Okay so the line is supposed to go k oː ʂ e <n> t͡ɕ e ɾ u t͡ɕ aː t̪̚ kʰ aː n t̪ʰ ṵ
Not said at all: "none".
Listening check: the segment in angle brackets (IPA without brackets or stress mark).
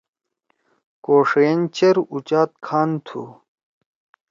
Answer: n